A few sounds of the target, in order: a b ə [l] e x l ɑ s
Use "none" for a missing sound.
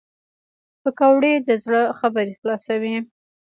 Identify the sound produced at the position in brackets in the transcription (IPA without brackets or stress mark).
ɾ